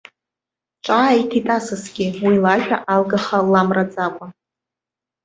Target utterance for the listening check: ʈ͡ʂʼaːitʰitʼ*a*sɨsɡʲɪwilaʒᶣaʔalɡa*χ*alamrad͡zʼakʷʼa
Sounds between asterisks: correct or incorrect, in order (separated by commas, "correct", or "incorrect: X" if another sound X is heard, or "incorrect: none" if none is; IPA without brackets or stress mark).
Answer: correct, correct